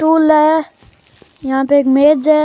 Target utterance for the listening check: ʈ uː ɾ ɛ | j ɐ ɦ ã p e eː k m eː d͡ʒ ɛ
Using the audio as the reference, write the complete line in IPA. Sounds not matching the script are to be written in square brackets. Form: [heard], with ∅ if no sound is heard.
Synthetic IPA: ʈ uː [l] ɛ | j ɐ ɦ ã p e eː k m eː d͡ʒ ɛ